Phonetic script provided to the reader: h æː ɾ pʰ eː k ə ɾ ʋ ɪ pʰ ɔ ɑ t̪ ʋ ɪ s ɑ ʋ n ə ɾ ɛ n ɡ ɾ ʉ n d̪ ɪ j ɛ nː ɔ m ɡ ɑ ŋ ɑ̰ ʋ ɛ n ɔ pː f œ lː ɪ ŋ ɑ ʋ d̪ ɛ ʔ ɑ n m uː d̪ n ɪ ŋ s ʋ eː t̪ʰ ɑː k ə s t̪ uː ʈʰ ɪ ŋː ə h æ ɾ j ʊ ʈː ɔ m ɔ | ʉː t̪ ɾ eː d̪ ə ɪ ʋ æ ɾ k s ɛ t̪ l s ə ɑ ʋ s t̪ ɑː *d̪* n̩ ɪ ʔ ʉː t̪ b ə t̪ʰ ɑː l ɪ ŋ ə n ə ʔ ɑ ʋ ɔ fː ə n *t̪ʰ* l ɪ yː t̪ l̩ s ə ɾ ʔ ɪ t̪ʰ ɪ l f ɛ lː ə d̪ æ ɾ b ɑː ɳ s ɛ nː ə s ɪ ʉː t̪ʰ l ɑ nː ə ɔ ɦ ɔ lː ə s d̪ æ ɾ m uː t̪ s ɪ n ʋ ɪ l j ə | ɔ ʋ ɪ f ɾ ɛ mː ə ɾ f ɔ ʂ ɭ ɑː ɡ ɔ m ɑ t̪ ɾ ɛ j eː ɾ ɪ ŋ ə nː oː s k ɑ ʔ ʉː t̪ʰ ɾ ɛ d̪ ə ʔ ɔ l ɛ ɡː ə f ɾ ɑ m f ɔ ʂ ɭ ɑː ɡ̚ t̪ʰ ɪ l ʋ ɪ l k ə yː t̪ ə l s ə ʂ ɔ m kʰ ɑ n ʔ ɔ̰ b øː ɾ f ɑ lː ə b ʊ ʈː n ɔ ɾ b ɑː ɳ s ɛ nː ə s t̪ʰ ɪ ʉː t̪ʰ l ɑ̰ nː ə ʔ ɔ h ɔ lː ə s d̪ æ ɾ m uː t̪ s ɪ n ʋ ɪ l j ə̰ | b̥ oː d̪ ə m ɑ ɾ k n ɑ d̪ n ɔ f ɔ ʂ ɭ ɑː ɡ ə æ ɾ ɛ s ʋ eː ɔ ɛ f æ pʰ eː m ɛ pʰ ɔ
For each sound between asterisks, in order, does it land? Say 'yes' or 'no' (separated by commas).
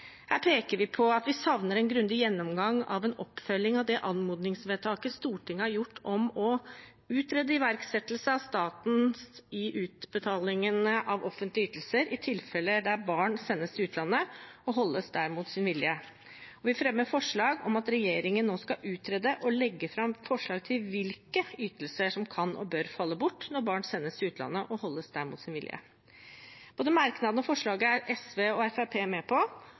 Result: no, no